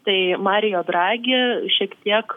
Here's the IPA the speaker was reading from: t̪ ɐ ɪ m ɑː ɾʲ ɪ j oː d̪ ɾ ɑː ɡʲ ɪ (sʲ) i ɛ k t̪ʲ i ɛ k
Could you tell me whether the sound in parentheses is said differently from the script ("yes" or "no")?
yes